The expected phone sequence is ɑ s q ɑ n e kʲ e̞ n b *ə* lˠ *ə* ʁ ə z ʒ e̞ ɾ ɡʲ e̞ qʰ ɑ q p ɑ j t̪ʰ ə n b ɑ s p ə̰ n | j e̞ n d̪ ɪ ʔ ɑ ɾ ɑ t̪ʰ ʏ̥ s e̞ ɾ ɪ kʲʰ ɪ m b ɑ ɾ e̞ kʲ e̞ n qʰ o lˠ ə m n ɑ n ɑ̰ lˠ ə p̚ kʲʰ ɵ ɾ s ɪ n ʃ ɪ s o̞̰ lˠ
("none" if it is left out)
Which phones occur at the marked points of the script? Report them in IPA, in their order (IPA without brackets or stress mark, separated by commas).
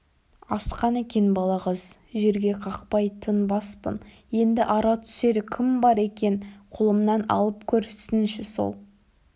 ɑ, ɑ